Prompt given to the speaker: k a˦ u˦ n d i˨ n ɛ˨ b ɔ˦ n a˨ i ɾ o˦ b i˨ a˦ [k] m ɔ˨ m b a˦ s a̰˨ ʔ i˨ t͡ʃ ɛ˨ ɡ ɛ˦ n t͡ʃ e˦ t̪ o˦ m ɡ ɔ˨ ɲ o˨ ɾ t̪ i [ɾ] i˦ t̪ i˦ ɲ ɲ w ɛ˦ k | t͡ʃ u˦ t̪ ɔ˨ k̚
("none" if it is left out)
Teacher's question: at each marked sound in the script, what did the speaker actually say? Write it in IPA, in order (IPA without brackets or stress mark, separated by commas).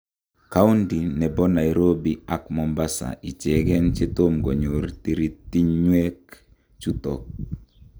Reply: k, ɾ